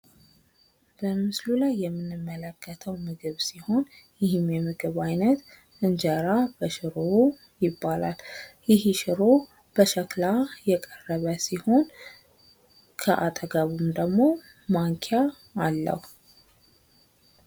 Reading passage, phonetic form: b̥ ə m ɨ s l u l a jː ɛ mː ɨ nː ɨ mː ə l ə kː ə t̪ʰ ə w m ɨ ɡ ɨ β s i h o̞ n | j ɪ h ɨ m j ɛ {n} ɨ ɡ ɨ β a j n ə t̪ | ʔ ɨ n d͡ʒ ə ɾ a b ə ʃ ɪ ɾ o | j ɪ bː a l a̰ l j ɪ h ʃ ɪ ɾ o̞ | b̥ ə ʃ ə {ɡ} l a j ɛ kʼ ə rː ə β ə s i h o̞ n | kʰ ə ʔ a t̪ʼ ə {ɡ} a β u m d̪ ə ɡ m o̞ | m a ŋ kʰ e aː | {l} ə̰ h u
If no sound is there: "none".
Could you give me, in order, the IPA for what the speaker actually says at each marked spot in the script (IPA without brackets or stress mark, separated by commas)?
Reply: m, k, ɡ, lː